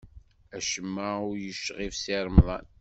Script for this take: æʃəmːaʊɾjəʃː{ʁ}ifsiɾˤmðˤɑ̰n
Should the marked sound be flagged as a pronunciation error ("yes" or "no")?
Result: no